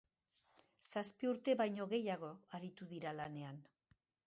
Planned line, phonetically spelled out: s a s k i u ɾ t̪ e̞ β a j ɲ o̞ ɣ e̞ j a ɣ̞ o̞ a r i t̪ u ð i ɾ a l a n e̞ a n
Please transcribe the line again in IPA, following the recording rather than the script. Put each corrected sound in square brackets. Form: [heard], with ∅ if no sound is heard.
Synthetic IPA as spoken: s a s [p] i u ɾ t̪ e̞ β a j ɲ o̞ ɣ e̞ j a ɣ̞ o̞ a [ɾ] i t̪ u ð i ɾ a l a n e̞ a n